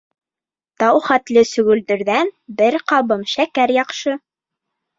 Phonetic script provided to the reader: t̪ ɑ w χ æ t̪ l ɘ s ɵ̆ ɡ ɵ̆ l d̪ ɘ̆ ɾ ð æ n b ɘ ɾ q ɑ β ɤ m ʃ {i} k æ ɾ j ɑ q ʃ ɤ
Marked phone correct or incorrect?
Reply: incorrect